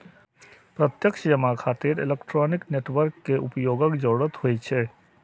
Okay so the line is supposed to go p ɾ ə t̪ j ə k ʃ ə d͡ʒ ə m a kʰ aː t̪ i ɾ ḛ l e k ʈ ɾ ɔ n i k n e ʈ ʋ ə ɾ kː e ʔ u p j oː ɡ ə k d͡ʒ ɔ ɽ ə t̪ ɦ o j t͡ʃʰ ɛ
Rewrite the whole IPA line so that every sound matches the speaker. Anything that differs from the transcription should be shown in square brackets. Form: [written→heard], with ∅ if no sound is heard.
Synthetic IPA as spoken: p ɾ ə t̪ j ə k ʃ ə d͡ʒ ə m a kʰ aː t̪ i ɾ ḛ l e k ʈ ɾ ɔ n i k n e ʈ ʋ ə ɾ kː e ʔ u p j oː ɡ ə k d͡ʒ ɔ ɽ ə t̪ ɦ o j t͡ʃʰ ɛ